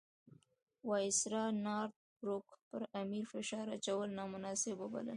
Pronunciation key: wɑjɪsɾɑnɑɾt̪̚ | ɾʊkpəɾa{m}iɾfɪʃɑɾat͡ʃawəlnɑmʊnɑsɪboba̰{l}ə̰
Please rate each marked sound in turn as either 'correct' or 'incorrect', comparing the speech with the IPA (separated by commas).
correct, correct